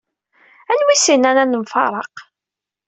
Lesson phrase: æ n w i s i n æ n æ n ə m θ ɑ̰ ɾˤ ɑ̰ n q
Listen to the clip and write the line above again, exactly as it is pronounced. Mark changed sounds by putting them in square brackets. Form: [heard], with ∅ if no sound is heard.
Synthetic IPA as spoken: æ n w i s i n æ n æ n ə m [f] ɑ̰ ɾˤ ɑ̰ [∅] q